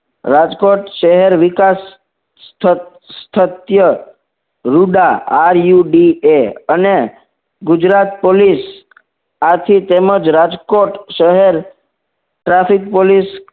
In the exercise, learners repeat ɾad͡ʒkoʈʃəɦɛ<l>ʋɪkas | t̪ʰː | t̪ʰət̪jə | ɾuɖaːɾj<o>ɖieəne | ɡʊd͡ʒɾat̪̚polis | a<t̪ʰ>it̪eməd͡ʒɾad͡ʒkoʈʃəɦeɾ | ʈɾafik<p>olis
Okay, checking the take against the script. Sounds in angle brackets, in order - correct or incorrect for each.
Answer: incorrect: ɾ, incorrect: u, correct, correct

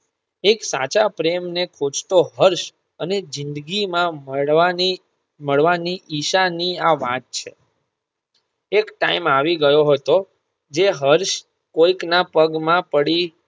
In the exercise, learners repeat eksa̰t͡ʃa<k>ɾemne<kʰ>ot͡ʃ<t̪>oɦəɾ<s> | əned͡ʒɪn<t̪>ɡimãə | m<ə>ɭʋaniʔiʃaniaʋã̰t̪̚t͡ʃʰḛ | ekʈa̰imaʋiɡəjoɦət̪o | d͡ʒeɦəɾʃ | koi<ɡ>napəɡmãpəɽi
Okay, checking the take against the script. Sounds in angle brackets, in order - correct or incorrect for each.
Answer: incorrect: p, correct, correct, incorrect: ʃ, incorrect: d̪, correct, incorrect: k

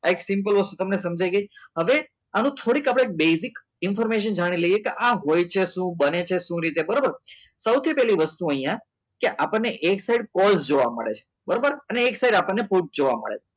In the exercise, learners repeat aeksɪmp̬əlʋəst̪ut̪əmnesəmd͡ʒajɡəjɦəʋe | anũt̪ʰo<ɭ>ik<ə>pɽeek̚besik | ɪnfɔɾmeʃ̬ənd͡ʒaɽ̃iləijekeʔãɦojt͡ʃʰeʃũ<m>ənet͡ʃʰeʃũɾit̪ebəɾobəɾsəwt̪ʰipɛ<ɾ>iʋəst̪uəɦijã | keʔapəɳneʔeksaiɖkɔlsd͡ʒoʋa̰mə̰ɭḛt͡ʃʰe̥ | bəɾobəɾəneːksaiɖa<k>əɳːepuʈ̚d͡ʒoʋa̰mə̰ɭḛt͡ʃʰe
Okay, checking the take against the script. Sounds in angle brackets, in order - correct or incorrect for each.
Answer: incorrect: ɽ, incorrect: a, incorrect: b, incorrect: l, incorrect: p

